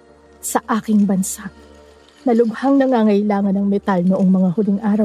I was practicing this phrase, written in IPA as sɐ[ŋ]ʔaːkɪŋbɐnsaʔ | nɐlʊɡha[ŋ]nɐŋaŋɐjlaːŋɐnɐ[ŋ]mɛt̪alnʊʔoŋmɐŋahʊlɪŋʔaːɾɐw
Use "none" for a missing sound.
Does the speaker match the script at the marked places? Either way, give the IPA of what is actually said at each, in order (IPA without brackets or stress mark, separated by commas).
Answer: none, ŋ, ŋ